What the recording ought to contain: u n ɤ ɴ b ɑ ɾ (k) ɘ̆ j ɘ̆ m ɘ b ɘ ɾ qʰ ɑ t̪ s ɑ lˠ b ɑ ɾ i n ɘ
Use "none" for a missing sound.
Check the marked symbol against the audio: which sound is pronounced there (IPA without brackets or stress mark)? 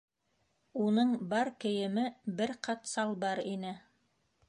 k